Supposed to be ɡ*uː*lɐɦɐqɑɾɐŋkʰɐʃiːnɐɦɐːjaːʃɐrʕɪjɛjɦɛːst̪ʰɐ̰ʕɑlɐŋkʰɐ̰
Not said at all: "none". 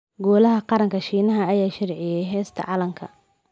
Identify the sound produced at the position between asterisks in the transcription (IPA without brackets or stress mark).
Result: ɔː